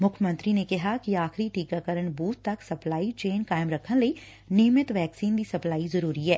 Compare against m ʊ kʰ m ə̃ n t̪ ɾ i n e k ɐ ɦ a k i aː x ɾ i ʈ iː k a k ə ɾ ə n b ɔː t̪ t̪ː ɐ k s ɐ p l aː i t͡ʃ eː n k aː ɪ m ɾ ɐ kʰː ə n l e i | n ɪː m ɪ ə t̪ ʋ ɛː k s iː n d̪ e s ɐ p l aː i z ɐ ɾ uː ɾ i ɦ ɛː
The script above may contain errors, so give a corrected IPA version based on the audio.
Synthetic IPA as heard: m ʊ kʰ m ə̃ n t̪ ɾ i n e k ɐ ɦ a k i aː x ɾ i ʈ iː k a k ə ɾ ə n b uː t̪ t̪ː ɐ k s ɐ p l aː i t͡ʃ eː n k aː ɪ m ɾ ɐ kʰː ə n l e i | n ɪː m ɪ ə t̪ ʋ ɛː k s iː n d̪ i s ɐ p l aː i z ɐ ɾ uː ɾ i ɦ ɛː